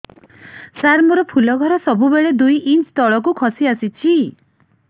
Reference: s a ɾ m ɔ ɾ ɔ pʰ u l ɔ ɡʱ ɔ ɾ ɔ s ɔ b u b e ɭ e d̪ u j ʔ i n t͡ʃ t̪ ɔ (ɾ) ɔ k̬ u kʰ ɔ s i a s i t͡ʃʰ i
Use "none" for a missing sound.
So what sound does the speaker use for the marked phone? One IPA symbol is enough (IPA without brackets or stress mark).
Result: ɭ